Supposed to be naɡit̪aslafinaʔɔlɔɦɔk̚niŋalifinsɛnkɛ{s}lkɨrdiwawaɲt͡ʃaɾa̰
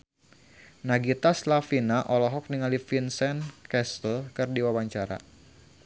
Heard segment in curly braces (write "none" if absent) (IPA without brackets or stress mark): s